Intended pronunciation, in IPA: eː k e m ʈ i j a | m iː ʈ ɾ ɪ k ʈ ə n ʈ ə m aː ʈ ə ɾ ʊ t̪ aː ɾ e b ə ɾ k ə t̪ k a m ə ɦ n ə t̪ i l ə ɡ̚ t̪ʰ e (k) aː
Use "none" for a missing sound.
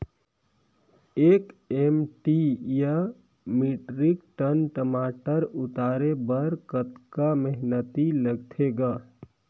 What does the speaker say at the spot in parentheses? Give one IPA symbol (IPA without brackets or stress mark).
ɡ